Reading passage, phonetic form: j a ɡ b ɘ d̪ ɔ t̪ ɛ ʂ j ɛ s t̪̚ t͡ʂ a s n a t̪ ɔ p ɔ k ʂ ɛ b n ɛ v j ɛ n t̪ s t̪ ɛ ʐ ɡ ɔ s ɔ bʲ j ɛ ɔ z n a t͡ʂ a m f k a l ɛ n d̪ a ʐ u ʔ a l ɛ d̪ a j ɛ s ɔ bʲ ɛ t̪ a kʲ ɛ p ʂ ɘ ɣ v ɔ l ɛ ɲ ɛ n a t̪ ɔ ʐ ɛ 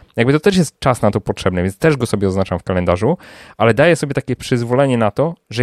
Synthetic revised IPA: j a ɡ b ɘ t̪ ɔ t̪ ɛ ʂ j ɛ s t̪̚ t͡ʂ a s n a t̪ ɔ p ɔ t ʂ ɛ b n ɛ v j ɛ n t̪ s t̪ ɛ ʐ ɡ ɔ s ɔ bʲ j ɛ ɔ z n a t͡ʂ a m f k a l ɛ n d̪ a ʐ u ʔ a l ɛ d̪ a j ɛ s ɔ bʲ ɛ t̪ a kʲ ɛ p ʂ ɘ z v ɔ l ɛ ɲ ɛ n a t̪ ɔ ʐ ɛ